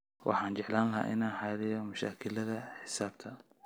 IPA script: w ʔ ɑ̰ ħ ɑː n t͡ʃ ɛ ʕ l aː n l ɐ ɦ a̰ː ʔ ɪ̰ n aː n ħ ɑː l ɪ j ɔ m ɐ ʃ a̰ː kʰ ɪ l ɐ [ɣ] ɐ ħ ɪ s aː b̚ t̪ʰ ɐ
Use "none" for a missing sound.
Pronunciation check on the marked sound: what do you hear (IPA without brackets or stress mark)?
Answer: ð